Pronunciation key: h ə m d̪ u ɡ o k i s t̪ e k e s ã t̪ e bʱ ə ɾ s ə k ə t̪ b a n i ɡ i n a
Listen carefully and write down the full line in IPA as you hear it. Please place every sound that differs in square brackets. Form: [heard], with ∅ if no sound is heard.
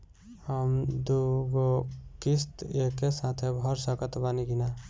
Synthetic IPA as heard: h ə m d̪ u ɡ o k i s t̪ e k e s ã [t̪ʰ] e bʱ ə ɾ s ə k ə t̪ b a n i ɡ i n a